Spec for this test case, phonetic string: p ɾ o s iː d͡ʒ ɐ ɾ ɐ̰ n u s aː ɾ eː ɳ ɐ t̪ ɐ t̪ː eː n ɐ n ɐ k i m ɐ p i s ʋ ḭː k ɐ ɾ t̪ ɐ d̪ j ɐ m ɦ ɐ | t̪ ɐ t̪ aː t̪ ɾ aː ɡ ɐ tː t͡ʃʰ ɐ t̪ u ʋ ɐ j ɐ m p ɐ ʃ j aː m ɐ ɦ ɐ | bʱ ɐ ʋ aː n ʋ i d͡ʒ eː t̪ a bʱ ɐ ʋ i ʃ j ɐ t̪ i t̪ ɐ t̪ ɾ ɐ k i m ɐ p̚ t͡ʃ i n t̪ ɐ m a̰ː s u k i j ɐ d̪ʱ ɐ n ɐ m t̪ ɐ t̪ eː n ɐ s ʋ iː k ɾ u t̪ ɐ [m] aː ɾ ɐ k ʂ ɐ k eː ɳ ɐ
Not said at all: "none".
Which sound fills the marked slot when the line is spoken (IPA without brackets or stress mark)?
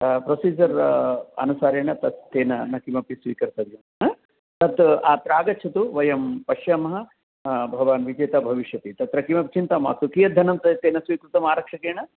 m